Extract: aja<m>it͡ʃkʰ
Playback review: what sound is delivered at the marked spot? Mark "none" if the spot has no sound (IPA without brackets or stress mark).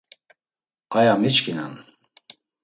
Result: m